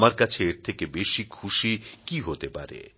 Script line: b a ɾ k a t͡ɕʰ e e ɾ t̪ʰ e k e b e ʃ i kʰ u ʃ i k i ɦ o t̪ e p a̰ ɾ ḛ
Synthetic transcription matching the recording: m a ɾ k a t͡ɕʰ e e ɾ t̪ʰ e k e b e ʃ i kʰ u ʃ i k i ɦ o t̪ e p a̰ ɾ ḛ